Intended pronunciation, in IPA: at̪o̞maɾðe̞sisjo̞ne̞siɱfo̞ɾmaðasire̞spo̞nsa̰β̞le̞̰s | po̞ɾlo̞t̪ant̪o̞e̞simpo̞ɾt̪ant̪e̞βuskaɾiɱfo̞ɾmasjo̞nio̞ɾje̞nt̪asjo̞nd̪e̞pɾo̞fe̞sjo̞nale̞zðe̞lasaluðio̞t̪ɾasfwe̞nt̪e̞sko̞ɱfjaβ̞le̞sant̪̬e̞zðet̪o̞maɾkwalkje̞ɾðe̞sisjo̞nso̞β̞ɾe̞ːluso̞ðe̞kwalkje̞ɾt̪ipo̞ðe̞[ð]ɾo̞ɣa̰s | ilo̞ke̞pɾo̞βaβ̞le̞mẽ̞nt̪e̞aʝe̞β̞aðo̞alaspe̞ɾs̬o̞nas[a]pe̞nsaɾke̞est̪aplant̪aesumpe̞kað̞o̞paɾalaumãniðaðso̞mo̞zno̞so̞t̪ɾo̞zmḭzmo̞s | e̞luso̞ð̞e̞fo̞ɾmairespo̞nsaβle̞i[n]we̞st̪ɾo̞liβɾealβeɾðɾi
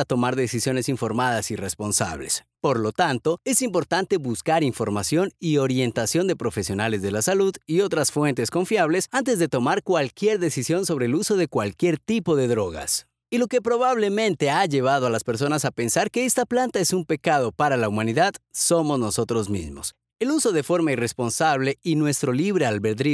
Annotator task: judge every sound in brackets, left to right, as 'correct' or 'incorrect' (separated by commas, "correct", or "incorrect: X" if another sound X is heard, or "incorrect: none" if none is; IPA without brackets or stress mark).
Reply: correct, correct, correct